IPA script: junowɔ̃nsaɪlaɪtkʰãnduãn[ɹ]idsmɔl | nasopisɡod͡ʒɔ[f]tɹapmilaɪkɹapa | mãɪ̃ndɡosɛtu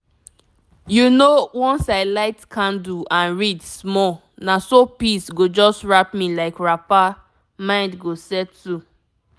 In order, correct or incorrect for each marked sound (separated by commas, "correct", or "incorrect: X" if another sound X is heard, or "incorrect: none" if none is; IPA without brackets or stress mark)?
correct, incorrect: s